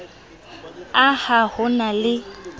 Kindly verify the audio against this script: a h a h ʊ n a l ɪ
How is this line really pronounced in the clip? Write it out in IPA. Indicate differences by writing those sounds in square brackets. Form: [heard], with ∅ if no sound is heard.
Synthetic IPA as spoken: a h a h ʊ n a l ɪ